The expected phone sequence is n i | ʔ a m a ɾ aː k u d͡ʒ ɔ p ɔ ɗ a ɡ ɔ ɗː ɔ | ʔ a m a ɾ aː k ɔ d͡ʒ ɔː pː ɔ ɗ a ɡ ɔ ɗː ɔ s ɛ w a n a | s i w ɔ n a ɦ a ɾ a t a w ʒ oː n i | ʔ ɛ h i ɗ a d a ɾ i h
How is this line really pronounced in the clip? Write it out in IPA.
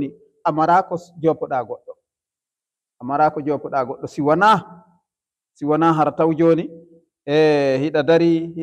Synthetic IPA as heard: n i | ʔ a m a ɾ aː k ɔ d͡ʒ ɔ p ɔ ɗ a ɡ ɔ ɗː ɔ | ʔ a m a ɾ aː k ɔ d͡ʒ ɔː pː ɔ ɗ a ɡ ɔ ɗː ɔ s i w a n a | s i w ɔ n a ɦ a ɾ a t a w d͡ʒ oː n i | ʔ ɛ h i ɗ a d a ɾ i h